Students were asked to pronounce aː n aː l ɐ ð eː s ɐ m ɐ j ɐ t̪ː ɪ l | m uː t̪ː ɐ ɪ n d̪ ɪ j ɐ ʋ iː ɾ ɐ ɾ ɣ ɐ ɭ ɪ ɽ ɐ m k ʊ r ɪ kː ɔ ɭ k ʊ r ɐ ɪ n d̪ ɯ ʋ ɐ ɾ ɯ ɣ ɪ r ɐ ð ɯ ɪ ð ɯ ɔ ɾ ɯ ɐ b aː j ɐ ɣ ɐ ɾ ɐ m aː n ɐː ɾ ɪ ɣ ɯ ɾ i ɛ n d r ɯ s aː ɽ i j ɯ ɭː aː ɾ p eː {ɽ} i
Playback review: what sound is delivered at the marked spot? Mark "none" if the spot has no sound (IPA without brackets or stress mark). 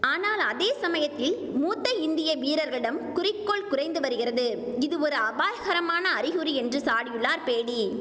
ɽ